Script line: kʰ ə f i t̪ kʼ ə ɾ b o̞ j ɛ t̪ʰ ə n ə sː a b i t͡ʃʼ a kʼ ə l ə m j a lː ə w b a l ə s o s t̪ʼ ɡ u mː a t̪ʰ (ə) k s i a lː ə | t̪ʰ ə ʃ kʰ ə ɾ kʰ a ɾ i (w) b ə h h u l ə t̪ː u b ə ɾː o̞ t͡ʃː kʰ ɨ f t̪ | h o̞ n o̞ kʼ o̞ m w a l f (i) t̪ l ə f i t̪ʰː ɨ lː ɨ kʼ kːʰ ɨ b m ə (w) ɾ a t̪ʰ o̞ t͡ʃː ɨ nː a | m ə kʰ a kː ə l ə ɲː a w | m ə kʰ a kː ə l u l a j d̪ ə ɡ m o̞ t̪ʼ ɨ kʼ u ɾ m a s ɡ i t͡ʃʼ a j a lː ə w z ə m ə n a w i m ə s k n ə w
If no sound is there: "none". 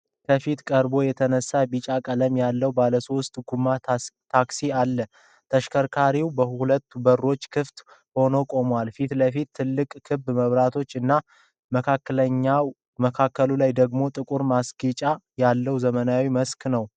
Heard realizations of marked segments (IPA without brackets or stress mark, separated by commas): a, w, i, β